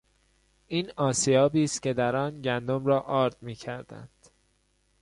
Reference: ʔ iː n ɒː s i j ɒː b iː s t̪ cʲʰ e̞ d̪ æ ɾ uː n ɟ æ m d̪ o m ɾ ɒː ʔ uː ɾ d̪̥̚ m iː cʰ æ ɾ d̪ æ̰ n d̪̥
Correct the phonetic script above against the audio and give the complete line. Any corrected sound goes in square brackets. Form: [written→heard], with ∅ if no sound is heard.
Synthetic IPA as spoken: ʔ iː n ɒː s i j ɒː b iː s t̪ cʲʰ e̞ d̪ æ ɾ [uː→ɒː] n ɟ æ [m→n] d̪ o m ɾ ɒː ʔ [uː→ɒː] ɾ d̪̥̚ m iː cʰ æ ɾ d̪ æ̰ n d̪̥